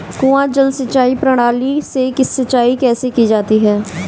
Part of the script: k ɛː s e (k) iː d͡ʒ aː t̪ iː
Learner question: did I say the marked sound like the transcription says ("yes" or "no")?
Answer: yes